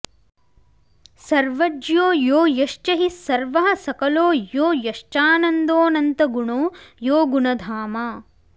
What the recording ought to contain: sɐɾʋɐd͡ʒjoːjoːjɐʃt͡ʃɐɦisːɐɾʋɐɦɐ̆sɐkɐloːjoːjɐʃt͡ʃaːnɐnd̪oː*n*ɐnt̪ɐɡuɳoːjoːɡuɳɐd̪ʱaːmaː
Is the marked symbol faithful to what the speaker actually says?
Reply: yes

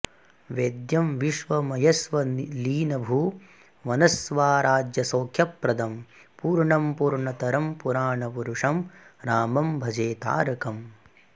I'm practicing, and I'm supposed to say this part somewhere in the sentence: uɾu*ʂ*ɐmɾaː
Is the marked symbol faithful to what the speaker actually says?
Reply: yes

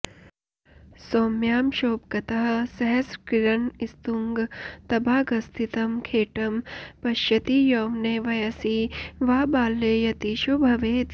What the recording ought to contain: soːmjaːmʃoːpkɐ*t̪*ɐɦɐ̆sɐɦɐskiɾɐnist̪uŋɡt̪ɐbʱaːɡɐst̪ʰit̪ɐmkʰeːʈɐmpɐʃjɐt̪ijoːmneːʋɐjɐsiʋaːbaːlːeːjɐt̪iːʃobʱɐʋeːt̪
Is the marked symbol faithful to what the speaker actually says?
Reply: yes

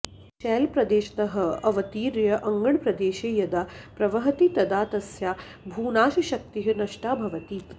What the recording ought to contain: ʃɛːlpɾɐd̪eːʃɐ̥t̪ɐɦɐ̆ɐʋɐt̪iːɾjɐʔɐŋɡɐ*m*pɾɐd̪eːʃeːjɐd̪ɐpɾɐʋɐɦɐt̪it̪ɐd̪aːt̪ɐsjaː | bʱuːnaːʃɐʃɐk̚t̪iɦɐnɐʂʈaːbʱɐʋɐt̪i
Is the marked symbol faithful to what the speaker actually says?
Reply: no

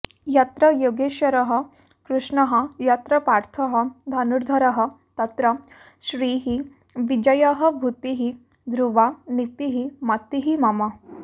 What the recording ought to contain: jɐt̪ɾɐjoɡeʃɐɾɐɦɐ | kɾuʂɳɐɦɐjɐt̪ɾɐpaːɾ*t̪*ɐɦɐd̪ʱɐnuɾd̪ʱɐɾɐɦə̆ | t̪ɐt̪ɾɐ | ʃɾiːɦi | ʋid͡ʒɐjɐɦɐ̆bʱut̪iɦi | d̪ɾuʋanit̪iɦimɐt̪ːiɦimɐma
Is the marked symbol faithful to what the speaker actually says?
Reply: no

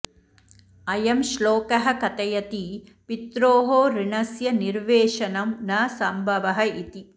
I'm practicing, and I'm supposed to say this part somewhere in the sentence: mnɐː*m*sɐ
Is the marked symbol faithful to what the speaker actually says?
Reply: no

